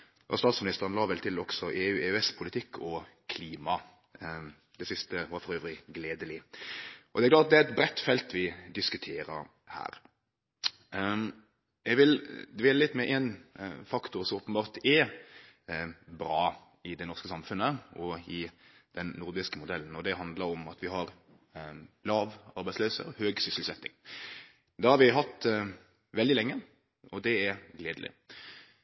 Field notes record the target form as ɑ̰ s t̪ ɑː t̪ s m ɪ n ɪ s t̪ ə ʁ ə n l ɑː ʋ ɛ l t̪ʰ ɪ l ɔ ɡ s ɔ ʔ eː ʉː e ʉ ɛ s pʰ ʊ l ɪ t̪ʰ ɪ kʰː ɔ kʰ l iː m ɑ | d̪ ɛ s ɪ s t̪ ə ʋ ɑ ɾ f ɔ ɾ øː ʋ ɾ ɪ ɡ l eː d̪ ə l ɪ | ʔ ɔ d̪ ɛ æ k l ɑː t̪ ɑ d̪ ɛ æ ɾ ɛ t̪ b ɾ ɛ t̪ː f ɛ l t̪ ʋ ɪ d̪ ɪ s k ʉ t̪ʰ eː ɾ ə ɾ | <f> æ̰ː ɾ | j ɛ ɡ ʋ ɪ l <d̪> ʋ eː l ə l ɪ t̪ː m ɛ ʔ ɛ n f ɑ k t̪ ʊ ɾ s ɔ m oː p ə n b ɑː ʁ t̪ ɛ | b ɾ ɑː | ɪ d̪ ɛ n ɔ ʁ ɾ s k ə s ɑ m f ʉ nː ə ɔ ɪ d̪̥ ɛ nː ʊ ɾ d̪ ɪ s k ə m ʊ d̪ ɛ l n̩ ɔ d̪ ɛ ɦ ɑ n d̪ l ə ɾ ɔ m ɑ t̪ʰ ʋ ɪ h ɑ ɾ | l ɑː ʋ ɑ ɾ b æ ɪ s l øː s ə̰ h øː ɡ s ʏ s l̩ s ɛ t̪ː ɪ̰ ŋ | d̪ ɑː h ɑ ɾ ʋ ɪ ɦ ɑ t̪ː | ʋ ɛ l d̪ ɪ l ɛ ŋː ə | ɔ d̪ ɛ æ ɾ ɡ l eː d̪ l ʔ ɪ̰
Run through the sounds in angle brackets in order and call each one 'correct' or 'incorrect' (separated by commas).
incorrect, correct